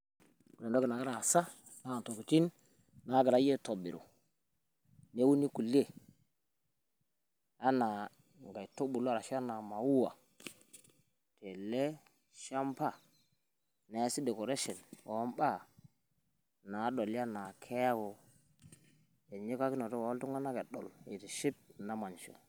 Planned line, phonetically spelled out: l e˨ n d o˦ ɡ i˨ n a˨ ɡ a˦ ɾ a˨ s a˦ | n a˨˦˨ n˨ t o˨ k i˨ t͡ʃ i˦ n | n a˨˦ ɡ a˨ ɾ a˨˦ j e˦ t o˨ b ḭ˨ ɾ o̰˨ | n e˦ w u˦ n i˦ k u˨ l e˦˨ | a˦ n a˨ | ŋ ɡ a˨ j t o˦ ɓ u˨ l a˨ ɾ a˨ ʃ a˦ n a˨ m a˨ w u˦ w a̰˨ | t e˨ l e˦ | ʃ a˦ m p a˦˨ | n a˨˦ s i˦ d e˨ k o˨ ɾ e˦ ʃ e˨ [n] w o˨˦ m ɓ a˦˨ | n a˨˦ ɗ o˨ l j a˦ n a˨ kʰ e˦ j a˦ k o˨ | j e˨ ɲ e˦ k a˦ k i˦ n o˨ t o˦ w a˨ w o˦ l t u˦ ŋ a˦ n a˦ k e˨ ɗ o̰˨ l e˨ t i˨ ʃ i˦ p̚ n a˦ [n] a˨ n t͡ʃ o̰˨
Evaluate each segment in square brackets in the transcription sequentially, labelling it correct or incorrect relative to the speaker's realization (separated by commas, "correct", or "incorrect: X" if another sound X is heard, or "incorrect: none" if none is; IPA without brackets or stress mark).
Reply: correct, incorrect: m